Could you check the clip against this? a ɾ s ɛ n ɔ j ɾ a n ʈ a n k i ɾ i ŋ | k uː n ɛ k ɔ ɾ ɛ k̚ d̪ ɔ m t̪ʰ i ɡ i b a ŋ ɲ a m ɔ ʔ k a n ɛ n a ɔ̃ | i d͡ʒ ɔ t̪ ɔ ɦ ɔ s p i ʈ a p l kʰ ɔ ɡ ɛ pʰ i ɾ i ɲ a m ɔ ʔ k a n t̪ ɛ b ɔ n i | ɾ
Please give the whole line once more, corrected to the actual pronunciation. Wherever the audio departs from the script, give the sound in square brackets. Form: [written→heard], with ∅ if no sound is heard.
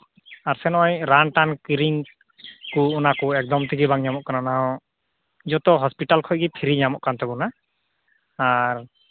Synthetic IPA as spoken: a ɾ s ɛ n ɔ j ɾ a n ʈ a n k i ɾ i ŋ | k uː n [ɛ→a] k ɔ [ɾ→∅] ɛ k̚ d̪ ɔ m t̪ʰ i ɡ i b a ŋ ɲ a m ɔ ʔ k a n [ɛ→a] n a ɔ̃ | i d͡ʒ ɔ t̪ ɔ ɦ ɔ s p i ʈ a [p→∅] l kʰ ɔ ɡ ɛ pʰ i ɾ i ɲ a m ɔ ʔ k a n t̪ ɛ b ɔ n [i→a] | ɾ